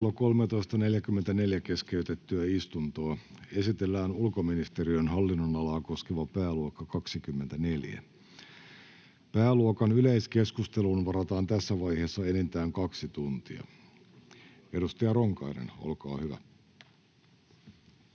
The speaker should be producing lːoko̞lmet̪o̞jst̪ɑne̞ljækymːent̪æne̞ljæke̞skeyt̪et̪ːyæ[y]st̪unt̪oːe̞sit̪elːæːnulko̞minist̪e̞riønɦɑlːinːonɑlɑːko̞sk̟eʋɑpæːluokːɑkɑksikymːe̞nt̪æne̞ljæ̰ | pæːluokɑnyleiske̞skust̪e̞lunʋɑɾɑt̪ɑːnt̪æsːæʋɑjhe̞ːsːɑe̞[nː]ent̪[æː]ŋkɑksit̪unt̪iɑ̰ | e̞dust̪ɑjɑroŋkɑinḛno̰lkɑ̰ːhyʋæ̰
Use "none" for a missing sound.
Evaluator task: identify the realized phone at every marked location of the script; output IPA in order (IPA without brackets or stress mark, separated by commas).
i, n, æː